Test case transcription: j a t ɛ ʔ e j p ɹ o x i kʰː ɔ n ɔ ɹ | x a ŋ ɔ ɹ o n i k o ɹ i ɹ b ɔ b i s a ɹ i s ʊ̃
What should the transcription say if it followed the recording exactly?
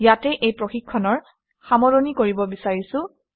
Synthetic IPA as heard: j a t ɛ ʔ e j p ɹ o x i kʰː ɔ n ɔ ɹ | x a m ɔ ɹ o n i k o ɹ i b ɔ b i s a ɹ i s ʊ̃